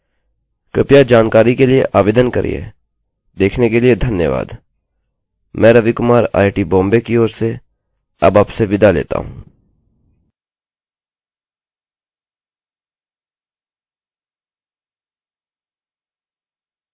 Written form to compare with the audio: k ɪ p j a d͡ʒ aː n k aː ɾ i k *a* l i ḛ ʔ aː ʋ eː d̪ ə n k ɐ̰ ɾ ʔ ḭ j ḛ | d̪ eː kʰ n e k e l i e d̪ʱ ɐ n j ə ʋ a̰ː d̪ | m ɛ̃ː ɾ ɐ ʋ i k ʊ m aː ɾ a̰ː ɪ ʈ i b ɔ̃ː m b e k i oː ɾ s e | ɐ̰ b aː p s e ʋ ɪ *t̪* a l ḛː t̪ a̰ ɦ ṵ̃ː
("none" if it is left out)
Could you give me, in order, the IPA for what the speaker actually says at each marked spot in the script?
e, d̪

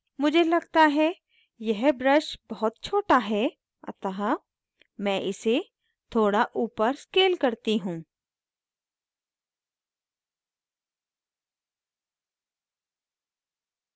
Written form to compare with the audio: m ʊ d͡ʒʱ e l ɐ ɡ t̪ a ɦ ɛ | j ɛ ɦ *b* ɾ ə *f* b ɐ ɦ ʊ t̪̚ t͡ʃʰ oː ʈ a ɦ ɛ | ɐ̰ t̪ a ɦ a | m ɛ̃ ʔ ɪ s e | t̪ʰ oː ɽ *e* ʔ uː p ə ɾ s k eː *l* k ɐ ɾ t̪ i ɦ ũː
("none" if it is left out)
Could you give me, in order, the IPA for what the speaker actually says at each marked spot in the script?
b, ʃ, a, l

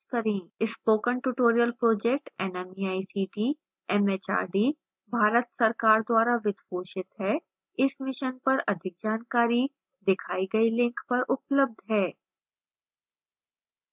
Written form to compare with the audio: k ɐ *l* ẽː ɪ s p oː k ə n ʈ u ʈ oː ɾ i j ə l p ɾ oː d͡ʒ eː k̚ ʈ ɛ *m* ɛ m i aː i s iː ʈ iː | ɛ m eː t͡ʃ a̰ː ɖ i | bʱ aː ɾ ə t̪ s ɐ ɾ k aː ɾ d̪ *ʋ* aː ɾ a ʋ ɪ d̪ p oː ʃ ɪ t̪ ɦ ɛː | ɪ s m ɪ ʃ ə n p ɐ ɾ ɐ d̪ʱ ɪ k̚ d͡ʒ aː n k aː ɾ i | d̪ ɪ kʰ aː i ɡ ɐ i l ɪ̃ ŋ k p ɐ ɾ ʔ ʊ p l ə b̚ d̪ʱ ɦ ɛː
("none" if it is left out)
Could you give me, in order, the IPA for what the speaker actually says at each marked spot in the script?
ɾ, n, w

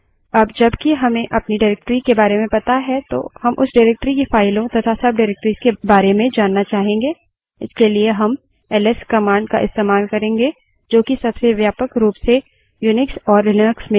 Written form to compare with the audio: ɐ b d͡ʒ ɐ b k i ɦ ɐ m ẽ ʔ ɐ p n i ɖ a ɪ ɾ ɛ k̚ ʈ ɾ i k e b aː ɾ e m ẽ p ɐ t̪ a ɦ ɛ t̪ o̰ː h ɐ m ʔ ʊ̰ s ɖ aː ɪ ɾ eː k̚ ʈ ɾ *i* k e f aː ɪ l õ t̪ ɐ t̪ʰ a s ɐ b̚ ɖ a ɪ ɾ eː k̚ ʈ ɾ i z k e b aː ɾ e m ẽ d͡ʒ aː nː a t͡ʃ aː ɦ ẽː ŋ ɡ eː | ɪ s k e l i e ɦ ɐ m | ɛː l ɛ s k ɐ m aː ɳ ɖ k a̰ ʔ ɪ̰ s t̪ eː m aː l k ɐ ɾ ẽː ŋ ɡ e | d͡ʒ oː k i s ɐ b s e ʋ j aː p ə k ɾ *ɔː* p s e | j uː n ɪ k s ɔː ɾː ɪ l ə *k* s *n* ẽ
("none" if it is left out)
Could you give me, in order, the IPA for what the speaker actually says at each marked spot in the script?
i, uː, k, m

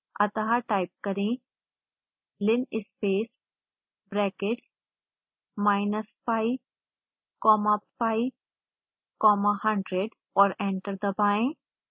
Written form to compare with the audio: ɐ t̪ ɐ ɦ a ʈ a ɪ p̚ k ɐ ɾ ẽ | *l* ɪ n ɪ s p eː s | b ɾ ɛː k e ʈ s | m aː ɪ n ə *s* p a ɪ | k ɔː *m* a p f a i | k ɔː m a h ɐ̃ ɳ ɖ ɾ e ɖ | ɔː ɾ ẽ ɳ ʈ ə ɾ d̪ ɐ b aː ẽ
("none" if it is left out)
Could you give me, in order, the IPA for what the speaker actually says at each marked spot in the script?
l, s, m

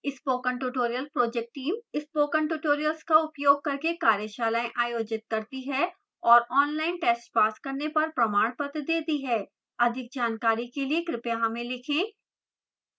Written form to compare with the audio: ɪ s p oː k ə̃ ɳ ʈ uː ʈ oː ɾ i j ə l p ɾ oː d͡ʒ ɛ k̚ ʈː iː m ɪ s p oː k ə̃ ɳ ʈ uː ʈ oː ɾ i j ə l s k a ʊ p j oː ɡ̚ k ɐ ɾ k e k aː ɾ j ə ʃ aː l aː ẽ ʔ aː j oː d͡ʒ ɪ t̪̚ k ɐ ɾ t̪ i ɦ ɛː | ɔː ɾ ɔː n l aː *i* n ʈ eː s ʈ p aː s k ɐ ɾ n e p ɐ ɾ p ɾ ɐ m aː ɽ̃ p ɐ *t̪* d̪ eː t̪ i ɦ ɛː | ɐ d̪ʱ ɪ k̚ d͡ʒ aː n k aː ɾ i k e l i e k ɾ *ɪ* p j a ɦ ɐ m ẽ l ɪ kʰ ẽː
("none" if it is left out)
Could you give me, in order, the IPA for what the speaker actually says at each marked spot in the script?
ɪ, t̪, ɪ

